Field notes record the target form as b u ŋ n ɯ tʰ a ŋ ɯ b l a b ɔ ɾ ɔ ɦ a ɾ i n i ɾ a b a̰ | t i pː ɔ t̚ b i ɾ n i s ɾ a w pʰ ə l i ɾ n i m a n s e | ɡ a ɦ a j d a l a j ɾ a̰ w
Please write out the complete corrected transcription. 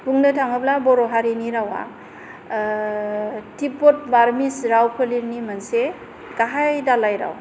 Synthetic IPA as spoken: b u ŋ n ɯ tʰ a ŋ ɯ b l a b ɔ ɾ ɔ ɦ a ɾ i n i ɾ a w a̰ | t i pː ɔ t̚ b a ɾ m i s ɾ a w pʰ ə l i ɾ n i m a n s e | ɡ a ɦ a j d a l a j ɾ a̰ w